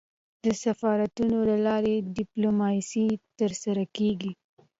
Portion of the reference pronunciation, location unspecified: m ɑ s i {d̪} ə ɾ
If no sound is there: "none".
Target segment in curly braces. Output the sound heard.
t̪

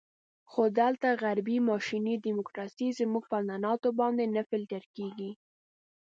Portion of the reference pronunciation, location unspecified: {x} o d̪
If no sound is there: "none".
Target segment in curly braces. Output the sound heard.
x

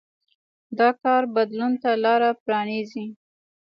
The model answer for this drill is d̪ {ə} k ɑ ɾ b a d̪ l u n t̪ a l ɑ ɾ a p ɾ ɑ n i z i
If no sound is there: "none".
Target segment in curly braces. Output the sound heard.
ɑ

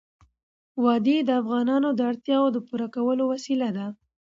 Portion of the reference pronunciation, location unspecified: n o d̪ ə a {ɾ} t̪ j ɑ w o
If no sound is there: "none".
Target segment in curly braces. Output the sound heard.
ɽ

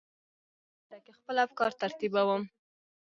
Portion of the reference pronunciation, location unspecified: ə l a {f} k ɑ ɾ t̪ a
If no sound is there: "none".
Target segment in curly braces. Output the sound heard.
f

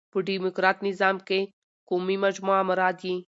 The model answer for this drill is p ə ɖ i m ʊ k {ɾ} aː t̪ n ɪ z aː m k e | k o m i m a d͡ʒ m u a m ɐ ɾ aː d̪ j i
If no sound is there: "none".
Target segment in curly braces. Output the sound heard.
ɾ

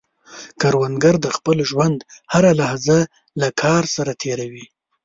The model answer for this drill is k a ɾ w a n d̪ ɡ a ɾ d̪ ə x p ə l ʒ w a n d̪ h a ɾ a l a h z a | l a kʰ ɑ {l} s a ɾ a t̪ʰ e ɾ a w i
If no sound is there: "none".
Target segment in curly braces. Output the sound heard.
ɾ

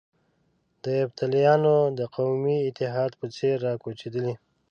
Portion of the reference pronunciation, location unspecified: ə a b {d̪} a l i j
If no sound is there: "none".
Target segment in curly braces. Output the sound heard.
t̪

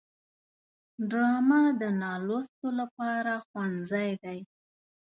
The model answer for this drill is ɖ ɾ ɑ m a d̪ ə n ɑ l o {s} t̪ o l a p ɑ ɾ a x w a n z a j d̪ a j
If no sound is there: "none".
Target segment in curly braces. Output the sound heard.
s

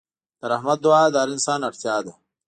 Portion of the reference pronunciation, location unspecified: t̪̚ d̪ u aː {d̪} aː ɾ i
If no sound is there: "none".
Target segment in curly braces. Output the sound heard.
d̪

